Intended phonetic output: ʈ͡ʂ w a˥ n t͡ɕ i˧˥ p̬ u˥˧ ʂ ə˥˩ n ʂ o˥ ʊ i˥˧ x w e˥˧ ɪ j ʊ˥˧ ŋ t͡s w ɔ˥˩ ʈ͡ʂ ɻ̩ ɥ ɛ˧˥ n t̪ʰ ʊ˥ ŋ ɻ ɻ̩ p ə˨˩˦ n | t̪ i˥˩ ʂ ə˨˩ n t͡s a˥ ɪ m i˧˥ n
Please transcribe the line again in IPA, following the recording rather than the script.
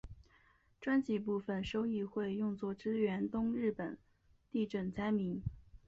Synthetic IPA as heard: ʈ͡ʂ w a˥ n t͡ɕ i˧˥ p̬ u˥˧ f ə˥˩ n ʂ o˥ ʊ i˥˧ x w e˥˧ ɪ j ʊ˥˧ ŋ t͡s w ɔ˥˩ ʈ͡ʂ ɻ̩ ɥ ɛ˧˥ n t̪ ʊ˥ ŋ ɻ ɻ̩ p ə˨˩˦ n | t̪ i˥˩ ʈ͡ʂ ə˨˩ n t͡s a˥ ɪ m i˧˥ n

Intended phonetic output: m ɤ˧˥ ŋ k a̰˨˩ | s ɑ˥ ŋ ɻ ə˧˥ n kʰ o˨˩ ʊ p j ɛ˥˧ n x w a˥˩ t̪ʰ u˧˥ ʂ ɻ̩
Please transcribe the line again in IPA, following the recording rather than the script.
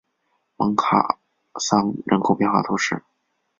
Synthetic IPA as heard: m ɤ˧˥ ŋ kʰ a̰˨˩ | s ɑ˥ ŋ ɻ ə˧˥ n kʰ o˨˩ ʊ p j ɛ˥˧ n x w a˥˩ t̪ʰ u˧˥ ʂ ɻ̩

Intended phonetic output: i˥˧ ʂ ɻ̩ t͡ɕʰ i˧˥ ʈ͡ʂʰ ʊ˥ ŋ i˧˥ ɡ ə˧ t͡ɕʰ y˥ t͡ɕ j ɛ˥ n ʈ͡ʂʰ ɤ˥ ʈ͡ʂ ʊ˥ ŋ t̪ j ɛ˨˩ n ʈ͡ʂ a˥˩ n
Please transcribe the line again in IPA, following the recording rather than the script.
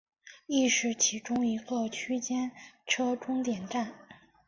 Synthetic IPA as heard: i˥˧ ʂ ɻ̩ t͡ɕʰ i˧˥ ʈ͡ʂ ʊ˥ ŋ i˧˥ ɡ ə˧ t͡ɕʰ y˥ t͡ɕ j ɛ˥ n ʈ͡ʂʰ ɤ˥ ʈ͡ʂ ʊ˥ ŋ t̪ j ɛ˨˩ n ʈ͡ʂ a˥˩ n

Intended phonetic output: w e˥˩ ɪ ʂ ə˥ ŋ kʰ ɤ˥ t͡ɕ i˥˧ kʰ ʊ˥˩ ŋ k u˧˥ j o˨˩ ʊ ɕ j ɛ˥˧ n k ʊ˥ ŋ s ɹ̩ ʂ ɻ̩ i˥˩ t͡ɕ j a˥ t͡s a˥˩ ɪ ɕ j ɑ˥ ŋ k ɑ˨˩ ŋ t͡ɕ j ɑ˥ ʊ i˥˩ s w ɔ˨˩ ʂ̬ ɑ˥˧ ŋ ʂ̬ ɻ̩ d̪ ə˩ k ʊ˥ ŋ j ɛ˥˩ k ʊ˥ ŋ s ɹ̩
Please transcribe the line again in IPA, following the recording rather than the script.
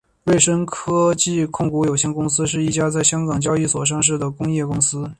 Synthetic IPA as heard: w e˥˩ ɪ ʂ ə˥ ŋ kʰ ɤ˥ t͡ɕ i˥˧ kʰ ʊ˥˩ ŋ k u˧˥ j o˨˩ ʊ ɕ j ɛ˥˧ n k ʊ˥ ŋ s ɹ̩ ʂ ɻ̩ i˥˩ t͡ɕ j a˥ t͡s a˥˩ ɪ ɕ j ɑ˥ ŋ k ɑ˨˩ ŋ t͡ɕ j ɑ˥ ʊ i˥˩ s w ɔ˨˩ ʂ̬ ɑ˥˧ ŋ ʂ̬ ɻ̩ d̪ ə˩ k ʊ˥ ŋ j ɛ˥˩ k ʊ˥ ŋ s ɹ̩

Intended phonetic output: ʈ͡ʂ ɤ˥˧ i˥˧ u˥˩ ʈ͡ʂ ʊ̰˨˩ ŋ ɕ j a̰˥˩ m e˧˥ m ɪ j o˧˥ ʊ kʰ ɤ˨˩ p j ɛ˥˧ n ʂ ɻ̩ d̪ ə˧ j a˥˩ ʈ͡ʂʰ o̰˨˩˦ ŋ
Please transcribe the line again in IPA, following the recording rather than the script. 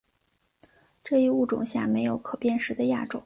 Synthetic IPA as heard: ʈ͡ʂ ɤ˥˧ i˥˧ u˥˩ ʈ͡ʂ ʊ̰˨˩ ŋ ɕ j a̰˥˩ m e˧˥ ɪ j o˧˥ ʊ kʰ ɤ˨˩ p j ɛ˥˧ n ʂ ɻ̩ d̪ ə˧ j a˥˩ ʈ͡ʂ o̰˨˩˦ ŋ

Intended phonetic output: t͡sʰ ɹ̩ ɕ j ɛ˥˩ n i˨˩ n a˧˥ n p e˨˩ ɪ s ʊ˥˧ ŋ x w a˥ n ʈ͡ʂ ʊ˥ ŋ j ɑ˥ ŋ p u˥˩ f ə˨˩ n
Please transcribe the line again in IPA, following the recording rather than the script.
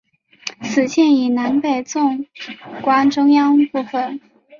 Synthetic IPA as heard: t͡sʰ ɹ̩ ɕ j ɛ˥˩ n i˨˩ n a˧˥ n p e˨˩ ɪ t͡s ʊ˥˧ ŋ k w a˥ n ʈ͡ʂ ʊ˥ ŋ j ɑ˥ ŋ p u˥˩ f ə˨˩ n

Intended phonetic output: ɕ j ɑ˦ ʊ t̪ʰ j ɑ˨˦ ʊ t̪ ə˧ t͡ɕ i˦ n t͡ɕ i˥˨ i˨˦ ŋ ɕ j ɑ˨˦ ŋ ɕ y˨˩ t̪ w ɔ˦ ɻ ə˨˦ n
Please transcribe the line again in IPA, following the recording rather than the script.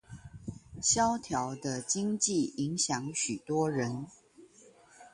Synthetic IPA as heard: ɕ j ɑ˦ ʊ t̪ʰ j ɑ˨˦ ʊ d̪ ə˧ t͡ɕ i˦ ŋ t͡ɕ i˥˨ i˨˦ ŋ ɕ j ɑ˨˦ ŋ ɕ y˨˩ t̪ w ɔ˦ ɻ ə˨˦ n

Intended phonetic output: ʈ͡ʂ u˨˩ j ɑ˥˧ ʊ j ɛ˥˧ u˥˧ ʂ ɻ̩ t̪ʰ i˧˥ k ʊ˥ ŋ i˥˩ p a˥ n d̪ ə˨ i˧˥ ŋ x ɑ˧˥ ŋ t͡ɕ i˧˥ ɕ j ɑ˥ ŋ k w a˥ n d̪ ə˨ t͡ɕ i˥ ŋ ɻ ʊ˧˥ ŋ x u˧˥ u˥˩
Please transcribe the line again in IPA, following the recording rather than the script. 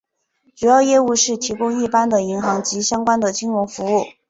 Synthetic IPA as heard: ʈ͡ʂ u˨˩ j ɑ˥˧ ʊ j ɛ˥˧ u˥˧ ʂ ɻ̩ t̪ʰ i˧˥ k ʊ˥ ŋ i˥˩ p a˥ n d̪ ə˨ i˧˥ ŋ x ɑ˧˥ ŋ t͡ɕ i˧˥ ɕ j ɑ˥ ŋ k w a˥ n d̪ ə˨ t͡ɕ i˥ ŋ ɻ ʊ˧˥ ŋ f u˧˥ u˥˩

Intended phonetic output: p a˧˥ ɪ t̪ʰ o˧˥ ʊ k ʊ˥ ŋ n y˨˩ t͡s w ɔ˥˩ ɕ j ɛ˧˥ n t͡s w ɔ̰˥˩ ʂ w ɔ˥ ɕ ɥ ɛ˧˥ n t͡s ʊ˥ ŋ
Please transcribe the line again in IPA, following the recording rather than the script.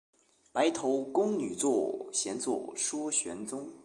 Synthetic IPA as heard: p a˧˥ ɪ t̪ʰ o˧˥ ʊ k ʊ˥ ŋ n y˨˩ t͡s w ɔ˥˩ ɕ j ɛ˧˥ n t͡s w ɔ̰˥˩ ʂ w ɔ˥ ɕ ɥ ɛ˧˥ n t͡s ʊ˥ ŋ

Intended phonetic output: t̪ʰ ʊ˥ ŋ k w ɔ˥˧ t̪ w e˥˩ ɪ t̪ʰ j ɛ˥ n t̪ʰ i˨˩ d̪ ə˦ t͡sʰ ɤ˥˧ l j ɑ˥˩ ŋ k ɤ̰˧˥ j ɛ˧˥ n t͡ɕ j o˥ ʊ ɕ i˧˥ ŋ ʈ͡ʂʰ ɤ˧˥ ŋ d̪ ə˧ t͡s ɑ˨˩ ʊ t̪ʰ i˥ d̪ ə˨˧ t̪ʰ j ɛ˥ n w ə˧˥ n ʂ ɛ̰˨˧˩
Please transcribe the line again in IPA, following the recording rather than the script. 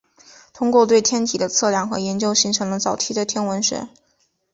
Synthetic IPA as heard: t̪ʰ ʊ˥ ŋ k w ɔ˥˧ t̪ w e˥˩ ɪ t̪ʰ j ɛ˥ n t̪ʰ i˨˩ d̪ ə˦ t͡sʰ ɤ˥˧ l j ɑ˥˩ ŋ x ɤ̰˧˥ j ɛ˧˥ n t͡ɕ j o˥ ʊ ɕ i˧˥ ŋ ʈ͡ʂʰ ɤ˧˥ ŋ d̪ ə˧ t͡s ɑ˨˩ ʊ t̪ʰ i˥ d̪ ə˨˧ t̪ʰ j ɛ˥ n w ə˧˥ n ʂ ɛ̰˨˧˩

